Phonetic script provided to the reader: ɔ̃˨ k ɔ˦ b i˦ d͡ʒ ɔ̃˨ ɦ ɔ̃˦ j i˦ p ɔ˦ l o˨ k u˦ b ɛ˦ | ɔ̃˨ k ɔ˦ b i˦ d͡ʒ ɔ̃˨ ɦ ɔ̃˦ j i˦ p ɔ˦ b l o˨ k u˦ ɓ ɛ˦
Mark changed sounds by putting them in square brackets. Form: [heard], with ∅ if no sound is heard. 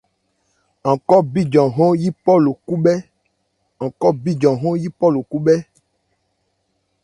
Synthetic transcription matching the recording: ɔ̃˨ k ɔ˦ b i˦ d͡ʒ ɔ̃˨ ɦ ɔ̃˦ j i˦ p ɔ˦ l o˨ k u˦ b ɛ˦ | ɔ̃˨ k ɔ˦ b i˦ d͡ʒ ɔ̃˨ ɦ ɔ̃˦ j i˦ p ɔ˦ [∅] l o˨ k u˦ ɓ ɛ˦